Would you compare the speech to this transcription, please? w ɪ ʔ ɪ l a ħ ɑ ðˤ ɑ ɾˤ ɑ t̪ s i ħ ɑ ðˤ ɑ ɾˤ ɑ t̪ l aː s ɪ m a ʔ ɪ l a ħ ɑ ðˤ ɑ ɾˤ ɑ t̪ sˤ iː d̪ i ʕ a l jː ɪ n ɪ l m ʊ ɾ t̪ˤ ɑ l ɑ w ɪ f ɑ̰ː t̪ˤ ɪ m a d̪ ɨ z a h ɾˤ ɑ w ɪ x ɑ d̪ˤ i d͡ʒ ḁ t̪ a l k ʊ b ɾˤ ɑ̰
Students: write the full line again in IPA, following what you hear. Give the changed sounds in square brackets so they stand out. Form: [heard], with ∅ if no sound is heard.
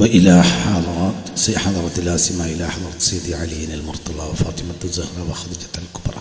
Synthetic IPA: w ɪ ʔ ɪ l a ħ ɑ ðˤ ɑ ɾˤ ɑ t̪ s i ħ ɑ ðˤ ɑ ɾˤ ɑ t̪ l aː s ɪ m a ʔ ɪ l a ħ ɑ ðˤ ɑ ɾˤ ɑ t̪ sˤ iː d̪ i ʕ a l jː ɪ n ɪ l m ʊ ɾ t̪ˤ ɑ l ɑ w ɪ f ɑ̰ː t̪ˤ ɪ m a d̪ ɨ z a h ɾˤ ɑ w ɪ x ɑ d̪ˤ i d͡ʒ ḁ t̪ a l k ʊ b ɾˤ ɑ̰